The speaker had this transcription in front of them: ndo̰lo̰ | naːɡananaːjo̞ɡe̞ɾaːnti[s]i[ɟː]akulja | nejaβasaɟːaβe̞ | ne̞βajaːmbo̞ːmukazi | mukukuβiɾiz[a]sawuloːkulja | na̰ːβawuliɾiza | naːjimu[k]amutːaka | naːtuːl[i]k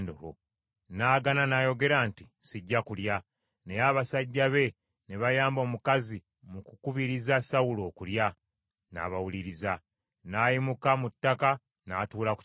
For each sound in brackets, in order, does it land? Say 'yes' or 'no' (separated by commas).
yes, yes, yes, yes, no